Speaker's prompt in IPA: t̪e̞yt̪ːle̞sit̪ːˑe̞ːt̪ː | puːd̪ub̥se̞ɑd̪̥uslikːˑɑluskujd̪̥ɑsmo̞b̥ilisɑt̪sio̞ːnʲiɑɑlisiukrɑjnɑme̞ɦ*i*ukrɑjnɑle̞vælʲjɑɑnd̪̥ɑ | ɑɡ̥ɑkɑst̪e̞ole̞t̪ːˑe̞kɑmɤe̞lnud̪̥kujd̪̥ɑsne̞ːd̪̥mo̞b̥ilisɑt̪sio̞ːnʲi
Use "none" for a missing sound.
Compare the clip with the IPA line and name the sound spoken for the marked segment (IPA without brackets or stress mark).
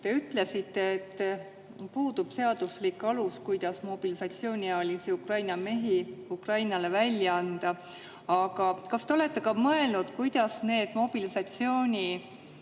i